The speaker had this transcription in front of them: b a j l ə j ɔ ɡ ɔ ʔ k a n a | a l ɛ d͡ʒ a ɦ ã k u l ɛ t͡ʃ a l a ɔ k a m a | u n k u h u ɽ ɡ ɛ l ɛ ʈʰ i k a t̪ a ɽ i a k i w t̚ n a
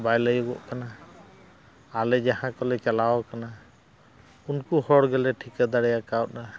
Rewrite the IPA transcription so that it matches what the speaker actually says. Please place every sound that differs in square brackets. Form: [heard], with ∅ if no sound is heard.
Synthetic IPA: b a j l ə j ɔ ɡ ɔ ʔ k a n a | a l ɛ d͡ʒ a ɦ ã k [ɔ] l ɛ t͡ʃ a l a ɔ k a [n] a | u n k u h [ɔ] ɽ ɡ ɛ l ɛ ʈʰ i k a [d̪] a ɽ [j] a k [a] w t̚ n a